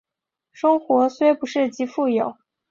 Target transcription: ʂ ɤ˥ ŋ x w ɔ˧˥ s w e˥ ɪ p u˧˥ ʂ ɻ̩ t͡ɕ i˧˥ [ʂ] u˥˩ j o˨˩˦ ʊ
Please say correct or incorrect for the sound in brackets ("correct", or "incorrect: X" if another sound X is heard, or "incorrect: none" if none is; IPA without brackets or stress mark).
incorrect: f